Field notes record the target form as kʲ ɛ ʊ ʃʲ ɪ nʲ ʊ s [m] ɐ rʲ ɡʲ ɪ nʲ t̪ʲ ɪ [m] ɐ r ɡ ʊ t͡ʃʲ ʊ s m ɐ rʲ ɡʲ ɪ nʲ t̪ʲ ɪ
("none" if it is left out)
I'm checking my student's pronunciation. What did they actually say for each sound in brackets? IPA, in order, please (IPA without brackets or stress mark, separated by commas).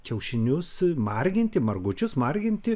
m, m